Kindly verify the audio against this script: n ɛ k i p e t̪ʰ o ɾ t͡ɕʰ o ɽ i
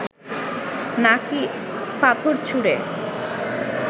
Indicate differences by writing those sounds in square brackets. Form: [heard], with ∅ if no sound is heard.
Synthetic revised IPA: n [a] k i p [a] t̪ʰ o ɾ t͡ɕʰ [u] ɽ [e]